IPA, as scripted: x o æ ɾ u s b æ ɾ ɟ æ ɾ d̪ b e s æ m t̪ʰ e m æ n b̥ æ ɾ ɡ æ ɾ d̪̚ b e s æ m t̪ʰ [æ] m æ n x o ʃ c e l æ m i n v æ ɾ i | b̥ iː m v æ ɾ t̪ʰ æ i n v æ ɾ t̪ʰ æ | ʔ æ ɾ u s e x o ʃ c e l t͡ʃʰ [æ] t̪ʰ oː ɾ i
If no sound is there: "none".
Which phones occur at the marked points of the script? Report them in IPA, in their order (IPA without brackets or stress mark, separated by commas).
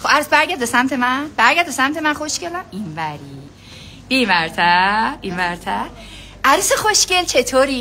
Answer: e, e